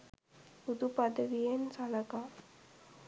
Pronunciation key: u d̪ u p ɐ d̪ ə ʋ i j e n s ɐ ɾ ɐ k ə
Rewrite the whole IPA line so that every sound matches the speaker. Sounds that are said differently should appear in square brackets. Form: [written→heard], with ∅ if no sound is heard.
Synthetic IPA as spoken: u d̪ u p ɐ d̪ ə ʋ i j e n s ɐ [ɾ→l] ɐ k [ə→a]